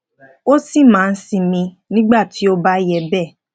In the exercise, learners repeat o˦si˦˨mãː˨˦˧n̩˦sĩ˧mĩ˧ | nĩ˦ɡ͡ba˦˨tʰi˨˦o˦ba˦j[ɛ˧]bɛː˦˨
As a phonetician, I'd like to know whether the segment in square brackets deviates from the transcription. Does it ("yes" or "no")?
no